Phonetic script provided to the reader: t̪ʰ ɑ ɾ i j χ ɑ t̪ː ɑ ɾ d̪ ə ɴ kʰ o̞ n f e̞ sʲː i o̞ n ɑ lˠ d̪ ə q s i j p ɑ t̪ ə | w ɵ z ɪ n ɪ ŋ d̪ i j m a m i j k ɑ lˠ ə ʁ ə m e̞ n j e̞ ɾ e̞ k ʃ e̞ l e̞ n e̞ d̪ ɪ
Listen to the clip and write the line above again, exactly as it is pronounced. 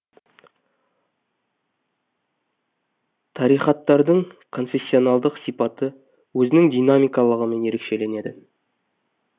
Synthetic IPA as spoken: t̪ʰ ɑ ɾ i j χ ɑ t̪ː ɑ ɾ d̪ ə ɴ kʰ o̞ n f e̞ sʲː i o̞ n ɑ lˠ d̪ ə q s i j p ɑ t̪ ə | w ɵ z ɪ n ɪ ŋ d̪ i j n a m i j k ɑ lˠ ə ʁ ə m e̞ n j e̞ ɾ e̞ k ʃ e̞ l e̞ n e̞ d̪ ɪ